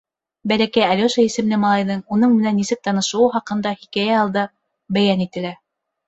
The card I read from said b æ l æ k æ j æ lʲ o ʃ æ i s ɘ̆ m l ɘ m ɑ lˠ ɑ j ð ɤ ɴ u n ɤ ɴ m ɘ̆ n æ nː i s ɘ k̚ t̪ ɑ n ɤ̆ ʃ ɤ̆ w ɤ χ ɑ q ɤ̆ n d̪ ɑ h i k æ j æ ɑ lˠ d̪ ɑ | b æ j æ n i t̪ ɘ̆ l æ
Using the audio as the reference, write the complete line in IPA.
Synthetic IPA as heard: b æ l æ k æ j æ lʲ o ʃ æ i s ɘ̆ m l ɘ m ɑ lˠ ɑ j ð ɤ ɴ u n ɤ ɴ m ɘ̆ n æ nː i s ɘ k̚ t̪ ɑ n ɤ̆ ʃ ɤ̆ w ɤ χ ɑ q ɤ̆ n d̪ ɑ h i k æ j æ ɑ lˠ d̪ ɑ | b æ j æ n i t̪ ɘ̆ l æ